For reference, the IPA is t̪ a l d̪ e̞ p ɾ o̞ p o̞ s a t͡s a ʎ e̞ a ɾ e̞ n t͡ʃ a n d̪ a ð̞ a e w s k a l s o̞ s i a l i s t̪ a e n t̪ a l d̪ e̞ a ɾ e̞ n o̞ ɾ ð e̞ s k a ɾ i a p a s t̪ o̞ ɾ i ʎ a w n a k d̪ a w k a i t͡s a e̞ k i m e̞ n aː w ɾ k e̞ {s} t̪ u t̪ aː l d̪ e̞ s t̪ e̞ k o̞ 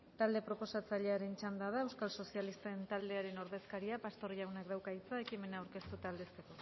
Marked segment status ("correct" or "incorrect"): correct